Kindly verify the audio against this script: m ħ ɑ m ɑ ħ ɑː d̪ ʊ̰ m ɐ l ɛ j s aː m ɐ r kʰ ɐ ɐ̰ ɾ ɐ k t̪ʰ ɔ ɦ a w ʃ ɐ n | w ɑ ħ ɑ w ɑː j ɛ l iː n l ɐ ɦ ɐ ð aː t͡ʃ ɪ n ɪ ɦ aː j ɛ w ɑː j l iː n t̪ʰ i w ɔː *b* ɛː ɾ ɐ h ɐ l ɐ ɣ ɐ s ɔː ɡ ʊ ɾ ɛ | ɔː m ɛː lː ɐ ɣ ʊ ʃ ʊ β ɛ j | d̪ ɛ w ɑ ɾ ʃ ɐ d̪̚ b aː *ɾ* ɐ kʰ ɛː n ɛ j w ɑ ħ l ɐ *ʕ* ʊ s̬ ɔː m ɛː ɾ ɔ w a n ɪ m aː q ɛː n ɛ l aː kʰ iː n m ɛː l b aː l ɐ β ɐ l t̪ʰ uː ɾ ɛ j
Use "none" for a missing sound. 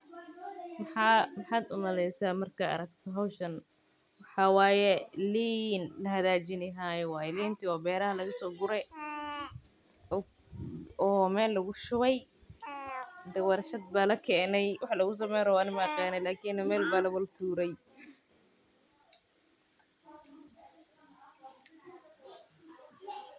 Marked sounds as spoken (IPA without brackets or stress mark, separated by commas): b, l, ɣ